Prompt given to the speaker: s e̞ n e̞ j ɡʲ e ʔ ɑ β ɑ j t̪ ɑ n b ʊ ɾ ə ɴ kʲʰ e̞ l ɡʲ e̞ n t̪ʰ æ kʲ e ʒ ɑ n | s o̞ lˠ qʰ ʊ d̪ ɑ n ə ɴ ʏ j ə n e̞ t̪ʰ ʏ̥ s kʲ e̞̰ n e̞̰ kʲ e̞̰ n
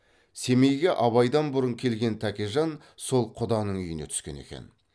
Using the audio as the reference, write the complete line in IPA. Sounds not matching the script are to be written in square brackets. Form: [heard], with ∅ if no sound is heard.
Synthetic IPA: s e̞ [m] e̞ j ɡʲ e ʔ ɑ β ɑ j [d̪] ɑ n b ʊ ɾ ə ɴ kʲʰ e̞ l ɡʲ e̞ n t̪ʰ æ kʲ e ʒ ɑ n | s o̞ lˠ qʰ ʊ d̪ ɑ n ə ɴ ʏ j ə n e̞ t̪ʰ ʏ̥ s kʲ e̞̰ n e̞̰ kʲ e̞̰ n